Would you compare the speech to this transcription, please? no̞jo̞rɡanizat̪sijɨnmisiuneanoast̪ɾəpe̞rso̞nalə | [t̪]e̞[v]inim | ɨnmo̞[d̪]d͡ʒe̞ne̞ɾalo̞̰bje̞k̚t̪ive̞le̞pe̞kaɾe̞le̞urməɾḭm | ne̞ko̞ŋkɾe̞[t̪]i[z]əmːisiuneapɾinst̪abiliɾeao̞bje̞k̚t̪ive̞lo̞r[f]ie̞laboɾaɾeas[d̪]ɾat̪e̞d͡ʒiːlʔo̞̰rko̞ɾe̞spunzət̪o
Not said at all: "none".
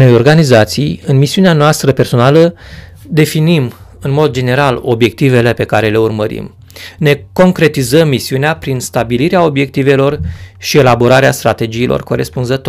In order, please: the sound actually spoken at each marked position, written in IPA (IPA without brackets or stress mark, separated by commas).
d̪, f, d̪, t̪, z, ʃ, t̪